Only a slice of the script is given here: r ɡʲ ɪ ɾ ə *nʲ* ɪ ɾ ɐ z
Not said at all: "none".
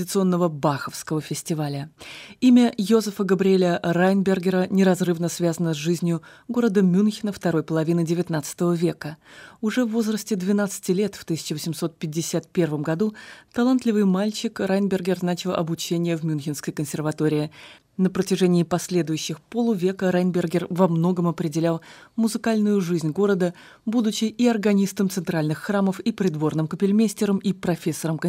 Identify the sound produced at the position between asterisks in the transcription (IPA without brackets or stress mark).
nʲ